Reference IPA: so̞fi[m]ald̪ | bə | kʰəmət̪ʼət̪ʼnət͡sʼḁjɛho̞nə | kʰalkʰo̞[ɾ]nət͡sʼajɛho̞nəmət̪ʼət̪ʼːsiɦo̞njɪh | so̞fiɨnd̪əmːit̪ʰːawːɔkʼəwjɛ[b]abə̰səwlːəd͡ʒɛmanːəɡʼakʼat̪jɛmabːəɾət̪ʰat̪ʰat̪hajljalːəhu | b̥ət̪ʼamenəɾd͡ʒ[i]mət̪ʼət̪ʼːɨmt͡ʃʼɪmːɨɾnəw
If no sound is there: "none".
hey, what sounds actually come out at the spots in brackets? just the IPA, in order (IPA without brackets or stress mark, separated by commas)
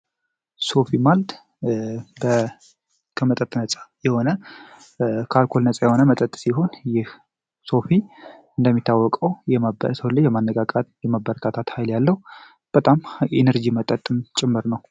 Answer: m, l, m, i